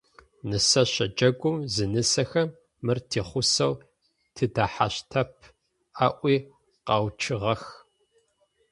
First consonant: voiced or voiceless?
voiced